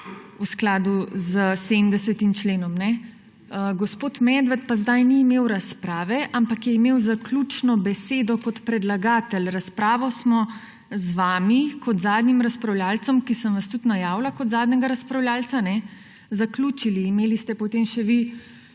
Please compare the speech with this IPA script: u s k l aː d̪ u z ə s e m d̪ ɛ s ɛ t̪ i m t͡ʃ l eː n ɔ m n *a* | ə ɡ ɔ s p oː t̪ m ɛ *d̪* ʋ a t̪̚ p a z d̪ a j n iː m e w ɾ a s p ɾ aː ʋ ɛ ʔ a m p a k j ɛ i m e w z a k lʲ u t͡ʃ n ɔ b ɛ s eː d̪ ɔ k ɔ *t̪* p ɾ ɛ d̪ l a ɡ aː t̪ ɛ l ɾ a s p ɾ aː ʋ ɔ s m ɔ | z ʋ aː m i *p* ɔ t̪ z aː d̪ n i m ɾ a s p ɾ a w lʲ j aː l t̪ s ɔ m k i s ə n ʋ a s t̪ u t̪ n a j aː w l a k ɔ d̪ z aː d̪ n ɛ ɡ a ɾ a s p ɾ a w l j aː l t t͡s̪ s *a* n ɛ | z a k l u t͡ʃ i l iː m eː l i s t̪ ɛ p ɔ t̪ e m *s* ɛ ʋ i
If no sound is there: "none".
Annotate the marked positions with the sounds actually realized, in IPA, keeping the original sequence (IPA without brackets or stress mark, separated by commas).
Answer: ɛ, d̪, t̪, k, a, ʃ